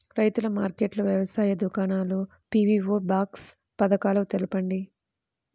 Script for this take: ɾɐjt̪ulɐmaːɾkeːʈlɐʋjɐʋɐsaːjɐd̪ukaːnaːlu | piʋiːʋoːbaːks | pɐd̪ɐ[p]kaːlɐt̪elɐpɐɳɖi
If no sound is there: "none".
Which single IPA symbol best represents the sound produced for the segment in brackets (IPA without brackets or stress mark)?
none